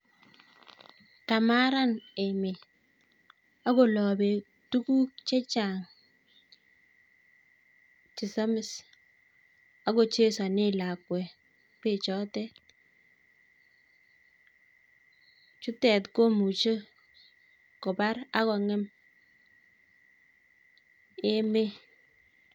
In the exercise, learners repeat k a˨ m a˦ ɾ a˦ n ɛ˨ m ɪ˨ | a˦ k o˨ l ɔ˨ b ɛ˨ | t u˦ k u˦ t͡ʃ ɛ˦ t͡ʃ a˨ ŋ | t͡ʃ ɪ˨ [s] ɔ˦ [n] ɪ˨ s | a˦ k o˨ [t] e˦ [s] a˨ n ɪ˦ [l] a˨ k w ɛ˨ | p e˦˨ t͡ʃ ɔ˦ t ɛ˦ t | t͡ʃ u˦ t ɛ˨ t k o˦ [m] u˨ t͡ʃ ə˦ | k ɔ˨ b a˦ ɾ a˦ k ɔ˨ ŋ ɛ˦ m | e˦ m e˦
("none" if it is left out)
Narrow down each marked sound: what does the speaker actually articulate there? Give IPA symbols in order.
s, m, t͡ʃ, s, l, m

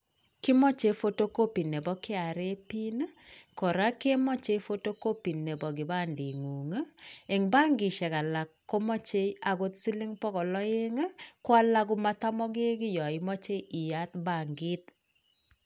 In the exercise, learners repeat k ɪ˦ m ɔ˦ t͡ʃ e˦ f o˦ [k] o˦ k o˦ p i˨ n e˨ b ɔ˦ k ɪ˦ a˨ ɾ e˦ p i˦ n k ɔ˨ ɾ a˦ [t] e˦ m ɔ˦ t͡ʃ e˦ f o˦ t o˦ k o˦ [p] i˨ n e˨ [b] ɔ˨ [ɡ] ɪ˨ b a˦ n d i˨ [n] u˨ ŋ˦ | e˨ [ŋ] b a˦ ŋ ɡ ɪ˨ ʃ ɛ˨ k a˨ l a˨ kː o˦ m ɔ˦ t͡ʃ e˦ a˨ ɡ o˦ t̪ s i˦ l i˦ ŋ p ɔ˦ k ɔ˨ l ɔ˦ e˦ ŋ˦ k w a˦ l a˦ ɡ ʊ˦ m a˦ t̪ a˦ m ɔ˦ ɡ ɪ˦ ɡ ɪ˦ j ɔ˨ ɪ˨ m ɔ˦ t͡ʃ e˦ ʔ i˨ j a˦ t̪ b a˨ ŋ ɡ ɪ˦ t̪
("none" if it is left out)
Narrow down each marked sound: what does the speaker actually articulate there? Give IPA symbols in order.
t, k, p, b, ɡ, ŋ, ŋ

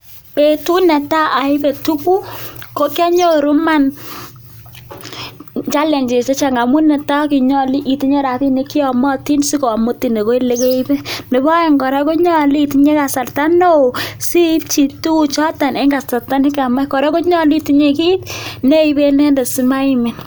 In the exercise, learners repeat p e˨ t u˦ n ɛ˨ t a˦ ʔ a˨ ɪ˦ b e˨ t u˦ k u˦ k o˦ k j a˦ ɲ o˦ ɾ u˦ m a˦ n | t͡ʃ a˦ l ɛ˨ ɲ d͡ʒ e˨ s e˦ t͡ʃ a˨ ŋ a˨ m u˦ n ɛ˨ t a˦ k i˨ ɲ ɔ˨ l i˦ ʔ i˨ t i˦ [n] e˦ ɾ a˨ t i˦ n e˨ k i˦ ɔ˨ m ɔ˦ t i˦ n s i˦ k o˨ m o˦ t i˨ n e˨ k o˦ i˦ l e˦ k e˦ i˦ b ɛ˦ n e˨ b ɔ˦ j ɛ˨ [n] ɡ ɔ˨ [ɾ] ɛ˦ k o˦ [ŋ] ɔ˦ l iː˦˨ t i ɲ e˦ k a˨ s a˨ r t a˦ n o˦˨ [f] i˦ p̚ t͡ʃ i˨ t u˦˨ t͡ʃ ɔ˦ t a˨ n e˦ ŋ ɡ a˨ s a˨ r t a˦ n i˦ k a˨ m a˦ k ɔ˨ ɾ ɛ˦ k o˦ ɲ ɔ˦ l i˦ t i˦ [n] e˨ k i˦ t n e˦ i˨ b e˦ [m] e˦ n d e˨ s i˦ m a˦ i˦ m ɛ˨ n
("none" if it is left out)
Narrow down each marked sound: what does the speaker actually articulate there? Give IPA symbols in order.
ɲ, ŋ, ɾ, ɲ, s, ɲ, n

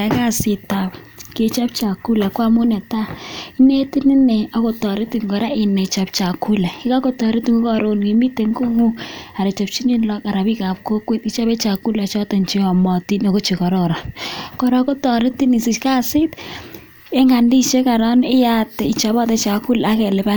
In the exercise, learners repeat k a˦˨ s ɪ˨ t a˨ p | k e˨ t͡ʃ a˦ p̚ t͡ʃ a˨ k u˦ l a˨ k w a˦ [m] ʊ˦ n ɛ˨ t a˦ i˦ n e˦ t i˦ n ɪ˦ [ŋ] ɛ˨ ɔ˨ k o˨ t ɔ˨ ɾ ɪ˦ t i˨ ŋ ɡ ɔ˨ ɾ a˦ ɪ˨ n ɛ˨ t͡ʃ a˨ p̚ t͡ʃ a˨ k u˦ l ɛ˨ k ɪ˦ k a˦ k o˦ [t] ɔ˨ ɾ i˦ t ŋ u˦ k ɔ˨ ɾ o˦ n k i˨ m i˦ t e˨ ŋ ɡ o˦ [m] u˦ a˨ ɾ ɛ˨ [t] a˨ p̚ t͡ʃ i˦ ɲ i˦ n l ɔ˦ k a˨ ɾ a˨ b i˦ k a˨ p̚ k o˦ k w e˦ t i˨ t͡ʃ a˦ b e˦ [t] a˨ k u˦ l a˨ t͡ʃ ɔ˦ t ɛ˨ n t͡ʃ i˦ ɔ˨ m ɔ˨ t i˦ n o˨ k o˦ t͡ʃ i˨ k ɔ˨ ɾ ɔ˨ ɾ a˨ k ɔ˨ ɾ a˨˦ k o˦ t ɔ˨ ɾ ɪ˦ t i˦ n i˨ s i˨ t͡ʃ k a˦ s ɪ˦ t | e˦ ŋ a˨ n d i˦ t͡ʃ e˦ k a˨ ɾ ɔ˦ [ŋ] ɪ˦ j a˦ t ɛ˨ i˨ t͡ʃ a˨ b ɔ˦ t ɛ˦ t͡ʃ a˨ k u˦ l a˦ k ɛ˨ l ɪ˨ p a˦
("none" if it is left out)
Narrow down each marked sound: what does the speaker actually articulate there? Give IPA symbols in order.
m, n, t, ŋ, t͡ʃ, t͡ʃ, n

